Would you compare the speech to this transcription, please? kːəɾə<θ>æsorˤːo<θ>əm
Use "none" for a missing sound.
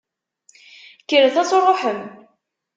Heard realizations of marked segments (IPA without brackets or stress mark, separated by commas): θ, ħ